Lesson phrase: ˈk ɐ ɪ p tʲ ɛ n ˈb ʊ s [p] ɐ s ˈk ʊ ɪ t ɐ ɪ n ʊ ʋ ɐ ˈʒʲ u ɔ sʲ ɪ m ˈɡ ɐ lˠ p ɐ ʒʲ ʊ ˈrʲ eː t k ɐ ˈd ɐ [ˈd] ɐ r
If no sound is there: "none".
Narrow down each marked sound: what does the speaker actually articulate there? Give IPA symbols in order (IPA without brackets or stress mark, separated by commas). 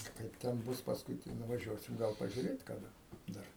p, d